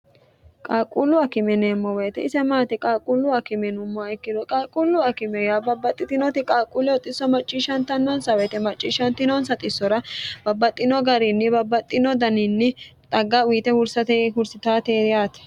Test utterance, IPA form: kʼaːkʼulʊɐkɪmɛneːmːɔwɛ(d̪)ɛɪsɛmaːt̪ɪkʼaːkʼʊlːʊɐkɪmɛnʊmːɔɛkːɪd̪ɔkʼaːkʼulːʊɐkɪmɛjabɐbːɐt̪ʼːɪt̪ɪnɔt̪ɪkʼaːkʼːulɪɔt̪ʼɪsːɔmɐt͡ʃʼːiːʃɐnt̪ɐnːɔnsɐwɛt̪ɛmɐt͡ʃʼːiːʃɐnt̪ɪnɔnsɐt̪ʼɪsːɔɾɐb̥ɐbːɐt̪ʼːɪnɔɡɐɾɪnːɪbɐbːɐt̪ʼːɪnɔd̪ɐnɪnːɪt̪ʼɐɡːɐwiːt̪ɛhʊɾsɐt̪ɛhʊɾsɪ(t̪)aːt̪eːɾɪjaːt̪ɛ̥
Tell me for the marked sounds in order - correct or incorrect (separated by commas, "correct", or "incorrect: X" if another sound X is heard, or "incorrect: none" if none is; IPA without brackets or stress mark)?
incorrect: t̪, correct